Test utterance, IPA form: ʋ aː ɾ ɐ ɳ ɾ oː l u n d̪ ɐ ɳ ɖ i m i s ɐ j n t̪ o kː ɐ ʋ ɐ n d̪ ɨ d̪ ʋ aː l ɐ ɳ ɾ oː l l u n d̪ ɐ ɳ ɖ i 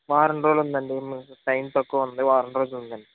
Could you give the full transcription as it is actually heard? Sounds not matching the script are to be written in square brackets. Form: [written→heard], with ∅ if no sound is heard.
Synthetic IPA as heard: ʋ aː ɾ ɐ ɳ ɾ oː l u n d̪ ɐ ɳ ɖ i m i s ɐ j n t̪ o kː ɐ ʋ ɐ n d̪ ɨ [d̪→∅] ʋ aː [l→ɾ] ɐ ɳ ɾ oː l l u n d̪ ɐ ɳ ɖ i